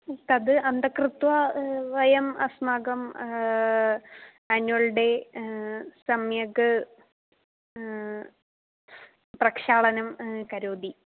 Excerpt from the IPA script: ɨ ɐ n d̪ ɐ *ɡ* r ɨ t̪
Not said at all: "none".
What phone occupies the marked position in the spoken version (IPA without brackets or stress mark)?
k